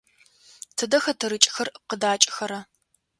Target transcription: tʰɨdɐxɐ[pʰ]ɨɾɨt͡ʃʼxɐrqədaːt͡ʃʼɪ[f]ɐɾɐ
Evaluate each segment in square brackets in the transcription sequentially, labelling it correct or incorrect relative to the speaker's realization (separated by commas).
incorrect, incorrect